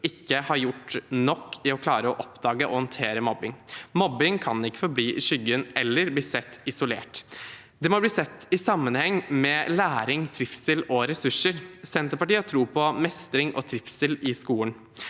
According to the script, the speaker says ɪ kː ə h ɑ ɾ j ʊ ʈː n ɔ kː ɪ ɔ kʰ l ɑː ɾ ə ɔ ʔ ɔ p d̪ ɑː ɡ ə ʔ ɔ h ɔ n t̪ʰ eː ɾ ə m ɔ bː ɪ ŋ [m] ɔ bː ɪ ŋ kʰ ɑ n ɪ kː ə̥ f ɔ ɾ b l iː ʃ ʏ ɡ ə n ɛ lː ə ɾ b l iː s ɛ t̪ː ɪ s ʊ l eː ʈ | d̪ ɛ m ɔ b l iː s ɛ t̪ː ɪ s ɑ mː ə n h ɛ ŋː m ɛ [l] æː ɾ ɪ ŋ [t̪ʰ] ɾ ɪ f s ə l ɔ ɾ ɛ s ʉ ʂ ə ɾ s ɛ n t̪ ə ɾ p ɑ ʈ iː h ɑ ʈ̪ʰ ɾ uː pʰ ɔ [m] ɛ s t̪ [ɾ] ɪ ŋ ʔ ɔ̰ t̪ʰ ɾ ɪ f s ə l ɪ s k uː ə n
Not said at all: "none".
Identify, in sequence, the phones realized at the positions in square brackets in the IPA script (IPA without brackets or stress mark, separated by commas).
m, l, t̪ʰ, m, ɾ